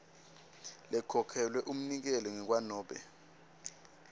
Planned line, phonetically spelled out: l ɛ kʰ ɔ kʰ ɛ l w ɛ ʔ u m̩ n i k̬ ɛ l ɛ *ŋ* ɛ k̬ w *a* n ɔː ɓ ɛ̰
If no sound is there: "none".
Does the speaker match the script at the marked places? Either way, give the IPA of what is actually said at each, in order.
ŋ, a

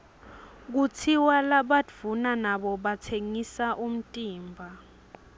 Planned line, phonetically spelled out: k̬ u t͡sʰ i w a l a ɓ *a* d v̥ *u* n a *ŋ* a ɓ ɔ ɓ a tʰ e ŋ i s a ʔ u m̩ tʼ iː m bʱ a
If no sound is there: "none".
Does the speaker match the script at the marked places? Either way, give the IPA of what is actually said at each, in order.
a, u, n

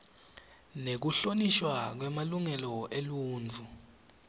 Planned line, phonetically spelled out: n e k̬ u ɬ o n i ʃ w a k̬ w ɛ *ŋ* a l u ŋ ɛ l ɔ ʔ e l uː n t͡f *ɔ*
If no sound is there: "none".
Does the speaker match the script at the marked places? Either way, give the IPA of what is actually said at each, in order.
m, u

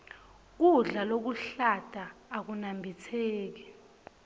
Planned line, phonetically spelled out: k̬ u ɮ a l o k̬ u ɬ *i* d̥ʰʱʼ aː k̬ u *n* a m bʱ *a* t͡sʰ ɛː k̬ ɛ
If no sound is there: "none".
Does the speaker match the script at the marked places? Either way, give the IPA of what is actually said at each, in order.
a, n, i

